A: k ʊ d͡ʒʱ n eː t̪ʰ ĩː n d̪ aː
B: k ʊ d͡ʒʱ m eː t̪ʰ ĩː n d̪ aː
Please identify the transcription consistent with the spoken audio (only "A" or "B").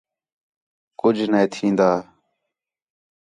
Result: A